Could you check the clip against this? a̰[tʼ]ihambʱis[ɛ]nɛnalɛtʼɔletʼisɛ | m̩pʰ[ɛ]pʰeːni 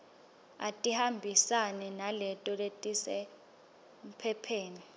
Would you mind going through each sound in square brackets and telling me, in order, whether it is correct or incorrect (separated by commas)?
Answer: correct, incorrect, correct